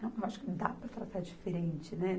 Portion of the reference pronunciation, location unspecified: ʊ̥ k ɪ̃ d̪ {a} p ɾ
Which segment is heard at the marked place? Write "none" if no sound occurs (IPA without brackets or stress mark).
a